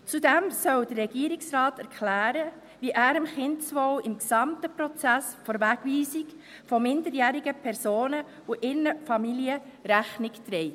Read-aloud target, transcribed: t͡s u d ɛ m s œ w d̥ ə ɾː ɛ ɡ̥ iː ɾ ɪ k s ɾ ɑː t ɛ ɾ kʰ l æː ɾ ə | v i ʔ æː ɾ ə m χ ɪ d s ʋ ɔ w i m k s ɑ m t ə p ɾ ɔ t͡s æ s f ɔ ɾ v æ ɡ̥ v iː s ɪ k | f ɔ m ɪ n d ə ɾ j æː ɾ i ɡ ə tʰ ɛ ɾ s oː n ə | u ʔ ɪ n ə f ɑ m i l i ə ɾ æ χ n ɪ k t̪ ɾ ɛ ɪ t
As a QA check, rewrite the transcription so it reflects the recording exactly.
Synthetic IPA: t͡s u d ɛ m s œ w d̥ ə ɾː ɛ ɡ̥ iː ɾ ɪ k s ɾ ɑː t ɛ ɾ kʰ l æː ɾ ə | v i ʔ æː ɾ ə m χ ɪ n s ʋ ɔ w ɪ m k s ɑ m t ə p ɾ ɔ t͡s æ s f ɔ ɾ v æ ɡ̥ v iː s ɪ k | f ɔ m ɪ n d ə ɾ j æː ɾ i ɡ ə pʰ ɛ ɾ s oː n ə | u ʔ ɪ n ə f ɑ m i l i ə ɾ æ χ n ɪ k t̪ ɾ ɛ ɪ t